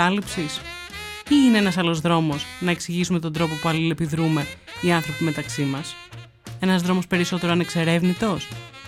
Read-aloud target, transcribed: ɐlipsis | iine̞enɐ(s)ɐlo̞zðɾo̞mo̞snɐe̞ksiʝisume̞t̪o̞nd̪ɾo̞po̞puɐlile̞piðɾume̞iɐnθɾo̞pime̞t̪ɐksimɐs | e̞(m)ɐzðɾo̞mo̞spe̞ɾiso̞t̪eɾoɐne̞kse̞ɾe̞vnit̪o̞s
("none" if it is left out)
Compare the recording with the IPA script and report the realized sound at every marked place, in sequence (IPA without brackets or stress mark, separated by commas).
s, n